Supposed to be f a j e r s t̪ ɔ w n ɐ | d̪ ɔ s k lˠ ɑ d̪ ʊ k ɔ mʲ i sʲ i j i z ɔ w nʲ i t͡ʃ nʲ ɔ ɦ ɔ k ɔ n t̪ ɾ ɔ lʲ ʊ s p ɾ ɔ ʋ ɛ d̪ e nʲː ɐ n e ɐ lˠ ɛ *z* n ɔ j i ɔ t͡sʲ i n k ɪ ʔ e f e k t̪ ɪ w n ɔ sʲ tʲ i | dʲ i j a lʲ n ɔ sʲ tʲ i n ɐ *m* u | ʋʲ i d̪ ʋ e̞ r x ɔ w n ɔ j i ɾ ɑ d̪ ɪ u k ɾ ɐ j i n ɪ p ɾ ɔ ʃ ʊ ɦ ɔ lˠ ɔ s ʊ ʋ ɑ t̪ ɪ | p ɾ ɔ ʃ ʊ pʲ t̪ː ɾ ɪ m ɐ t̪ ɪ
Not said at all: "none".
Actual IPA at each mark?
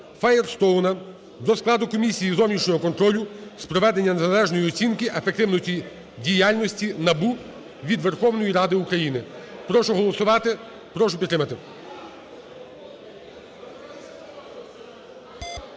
ʒ, b

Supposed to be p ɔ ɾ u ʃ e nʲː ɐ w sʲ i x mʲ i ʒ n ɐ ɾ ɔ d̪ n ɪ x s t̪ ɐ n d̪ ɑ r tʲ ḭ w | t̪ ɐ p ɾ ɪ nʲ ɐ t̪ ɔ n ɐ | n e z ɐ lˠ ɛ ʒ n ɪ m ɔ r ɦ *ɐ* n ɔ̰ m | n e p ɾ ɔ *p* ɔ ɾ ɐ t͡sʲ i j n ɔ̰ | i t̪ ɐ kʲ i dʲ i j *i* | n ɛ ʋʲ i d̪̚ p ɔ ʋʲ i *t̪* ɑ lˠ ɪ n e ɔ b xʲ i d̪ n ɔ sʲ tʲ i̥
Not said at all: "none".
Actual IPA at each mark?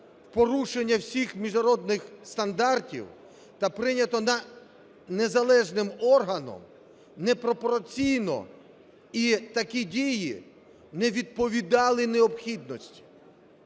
ɐ, p, i, d̪

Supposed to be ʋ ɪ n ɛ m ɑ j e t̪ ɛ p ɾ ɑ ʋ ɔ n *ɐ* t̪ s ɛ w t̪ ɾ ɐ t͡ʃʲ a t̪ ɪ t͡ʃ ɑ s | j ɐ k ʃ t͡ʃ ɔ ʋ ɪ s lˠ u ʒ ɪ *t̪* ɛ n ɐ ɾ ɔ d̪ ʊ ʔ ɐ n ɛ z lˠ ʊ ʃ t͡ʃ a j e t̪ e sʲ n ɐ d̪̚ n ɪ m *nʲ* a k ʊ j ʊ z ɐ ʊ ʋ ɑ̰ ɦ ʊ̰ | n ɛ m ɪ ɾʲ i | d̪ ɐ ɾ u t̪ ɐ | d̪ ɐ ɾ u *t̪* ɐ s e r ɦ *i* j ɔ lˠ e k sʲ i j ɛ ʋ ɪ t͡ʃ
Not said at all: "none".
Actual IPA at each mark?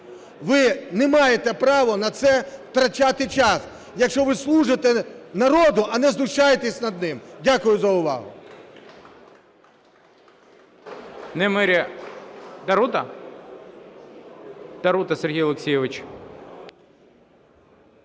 ɐ, t̪, dʲ, t̪, i

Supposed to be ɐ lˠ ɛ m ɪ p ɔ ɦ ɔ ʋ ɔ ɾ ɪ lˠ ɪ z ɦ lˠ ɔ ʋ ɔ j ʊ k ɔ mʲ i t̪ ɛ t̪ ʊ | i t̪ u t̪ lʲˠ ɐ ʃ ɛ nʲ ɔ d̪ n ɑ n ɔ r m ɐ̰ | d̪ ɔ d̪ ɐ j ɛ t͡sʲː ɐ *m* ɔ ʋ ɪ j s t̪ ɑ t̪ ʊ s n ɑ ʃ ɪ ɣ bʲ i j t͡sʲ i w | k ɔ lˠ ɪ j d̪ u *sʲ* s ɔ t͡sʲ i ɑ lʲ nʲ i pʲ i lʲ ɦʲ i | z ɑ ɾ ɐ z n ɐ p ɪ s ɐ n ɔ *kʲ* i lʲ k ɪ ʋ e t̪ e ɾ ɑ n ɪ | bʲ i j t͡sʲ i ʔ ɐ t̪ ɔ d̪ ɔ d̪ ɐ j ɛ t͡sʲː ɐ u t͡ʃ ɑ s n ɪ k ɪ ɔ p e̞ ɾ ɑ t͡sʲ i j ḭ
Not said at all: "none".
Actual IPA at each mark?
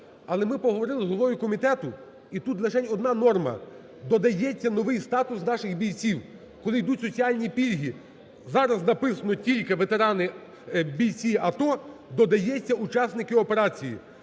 n, tʲ, tʲ

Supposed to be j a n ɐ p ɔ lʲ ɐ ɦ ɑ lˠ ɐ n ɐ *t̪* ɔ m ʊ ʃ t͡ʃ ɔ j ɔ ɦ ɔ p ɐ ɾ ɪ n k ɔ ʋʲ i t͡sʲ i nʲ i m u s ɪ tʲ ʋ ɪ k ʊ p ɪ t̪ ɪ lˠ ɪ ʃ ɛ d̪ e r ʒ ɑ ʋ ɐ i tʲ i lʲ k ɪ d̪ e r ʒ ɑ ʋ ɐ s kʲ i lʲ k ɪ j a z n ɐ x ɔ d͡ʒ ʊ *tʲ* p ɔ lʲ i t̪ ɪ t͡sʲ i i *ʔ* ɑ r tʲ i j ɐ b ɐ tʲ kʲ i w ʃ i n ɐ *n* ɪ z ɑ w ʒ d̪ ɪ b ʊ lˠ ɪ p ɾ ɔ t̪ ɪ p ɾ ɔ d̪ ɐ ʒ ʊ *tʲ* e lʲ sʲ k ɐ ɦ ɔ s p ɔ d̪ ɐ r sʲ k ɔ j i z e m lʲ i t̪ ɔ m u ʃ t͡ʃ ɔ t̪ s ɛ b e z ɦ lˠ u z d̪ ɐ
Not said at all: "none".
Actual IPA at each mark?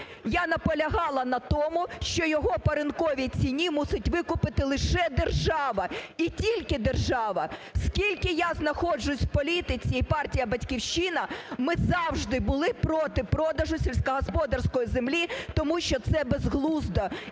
t̪, sʲ, p, m, sʲ

